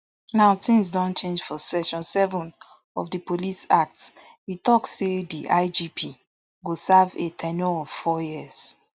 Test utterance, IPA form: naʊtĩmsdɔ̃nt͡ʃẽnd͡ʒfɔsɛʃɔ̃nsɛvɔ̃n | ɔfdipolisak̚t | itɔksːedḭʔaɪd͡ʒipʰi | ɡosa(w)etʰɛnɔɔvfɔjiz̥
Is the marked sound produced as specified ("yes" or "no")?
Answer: no